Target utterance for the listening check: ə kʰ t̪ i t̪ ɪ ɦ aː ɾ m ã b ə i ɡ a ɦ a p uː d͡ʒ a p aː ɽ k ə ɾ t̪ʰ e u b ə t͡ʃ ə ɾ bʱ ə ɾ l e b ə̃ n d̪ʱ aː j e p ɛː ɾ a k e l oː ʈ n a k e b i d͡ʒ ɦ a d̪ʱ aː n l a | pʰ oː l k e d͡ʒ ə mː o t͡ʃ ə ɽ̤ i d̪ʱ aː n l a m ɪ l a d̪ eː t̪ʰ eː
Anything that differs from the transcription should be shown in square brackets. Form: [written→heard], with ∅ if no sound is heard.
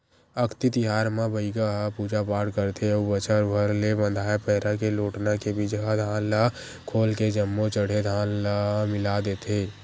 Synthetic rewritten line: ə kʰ t̪ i t̪ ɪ ɦ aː ɾ m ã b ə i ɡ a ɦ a p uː d͡ʒ a p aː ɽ k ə ɾ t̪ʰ e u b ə t͡ʃ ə ɾ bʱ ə ɾ l e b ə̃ n d̪ʱ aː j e p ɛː ɾ a k e l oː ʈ n a k e b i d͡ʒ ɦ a d̪ʱ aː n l a | [pʰ→kʰ] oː l k e d͡ʒ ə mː o t͡ʃ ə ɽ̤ [i→e] d̪ʱ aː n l a m ɪ l a d̪ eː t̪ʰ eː